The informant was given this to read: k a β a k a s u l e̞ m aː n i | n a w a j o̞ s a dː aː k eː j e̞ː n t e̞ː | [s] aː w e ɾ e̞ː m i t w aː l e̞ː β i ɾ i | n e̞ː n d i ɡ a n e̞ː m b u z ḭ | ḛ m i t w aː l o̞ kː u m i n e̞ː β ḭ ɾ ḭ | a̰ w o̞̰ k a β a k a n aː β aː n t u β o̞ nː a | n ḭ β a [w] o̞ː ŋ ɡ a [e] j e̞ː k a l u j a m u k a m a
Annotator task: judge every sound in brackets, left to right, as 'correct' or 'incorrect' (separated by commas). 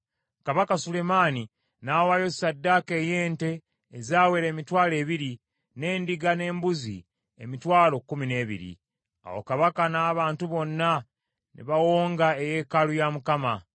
incorrect, correct, correct